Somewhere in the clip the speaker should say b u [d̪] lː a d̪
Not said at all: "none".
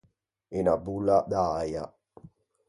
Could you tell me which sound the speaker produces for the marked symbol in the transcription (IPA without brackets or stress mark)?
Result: none